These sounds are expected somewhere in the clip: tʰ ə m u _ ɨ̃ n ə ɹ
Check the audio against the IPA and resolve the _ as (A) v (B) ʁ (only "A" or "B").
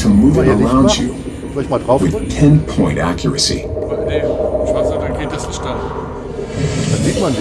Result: A